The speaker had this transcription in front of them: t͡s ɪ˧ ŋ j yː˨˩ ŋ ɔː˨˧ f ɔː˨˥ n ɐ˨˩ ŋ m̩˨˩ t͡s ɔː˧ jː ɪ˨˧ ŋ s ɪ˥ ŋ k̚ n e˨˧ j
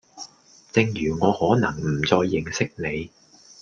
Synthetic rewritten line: t͡s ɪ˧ ŋ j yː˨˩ ŋ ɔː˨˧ h ɔː˨˥ n ɐ˨˩ ŋ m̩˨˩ t͡s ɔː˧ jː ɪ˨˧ ŋ s ɪ˥ k̚ n e˨˧ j